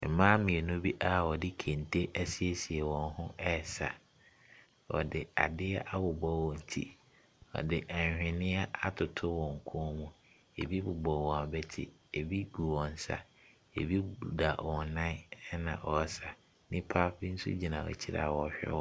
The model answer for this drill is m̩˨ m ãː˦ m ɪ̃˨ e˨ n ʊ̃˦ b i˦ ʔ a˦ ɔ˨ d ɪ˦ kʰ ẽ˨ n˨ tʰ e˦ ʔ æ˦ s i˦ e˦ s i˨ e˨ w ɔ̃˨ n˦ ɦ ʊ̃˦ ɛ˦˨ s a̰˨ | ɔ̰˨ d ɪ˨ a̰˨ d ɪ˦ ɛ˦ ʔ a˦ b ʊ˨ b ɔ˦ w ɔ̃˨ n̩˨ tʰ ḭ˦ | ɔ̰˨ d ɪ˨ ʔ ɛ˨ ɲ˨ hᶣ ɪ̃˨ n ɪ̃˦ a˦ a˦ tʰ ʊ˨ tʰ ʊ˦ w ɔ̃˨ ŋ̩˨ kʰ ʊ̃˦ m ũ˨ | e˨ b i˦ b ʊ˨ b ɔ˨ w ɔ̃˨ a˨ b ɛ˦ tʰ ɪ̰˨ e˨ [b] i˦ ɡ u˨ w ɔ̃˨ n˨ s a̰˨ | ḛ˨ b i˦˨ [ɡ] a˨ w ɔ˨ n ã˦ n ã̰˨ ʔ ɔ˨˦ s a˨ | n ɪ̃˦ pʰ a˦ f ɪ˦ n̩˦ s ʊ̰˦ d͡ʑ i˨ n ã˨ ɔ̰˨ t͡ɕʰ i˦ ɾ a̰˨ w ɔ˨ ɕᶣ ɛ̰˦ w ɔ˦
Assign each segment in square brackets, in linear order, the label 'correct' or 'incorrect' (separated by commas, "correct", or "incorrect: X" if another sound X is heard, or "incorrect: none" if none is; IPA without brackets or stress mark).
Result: correct, incorrect: d